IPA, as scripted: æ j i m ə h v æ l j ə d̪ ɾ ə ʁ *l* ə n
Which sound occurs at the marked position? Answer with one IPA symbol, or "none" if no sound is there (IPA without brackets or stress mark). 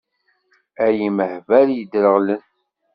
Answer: l